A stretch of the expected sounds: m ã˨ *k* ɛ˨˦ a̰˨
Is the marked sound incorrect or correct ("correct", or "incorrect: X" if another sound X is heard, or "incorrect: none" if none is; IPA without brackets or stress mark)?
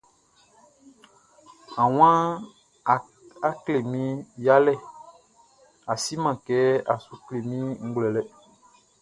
correct